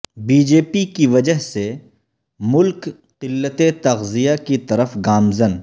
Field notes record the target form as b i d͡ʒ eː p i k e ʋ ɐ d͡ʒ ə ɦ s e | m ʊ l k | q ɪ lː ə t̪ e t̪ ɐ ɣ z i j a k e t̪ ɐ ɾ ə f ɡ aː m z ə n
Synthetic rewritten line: b iː d͡ʒ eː p i k i ʋ ɐ d͡ʒ ə ɦ s e | m ʊ l k | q ɪ lː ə t̪ e t̪ ɐ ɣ z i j a k i t̪ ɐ ɾ ə f ɡ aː m z ə n